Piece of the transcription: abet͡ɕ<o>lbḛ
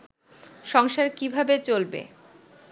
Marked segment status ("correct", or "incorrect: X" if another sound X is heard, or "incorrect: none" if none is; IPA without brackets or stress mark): correct